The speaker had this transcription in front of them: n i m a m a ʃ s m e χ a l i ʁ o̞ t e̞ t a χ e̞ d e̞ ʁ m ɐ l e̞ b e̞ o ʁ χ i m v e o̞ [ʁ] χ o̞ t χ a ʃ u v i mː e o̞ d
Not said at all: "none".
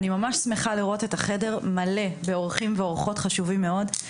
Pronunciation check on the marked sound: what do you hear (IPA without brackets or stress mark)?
ʁ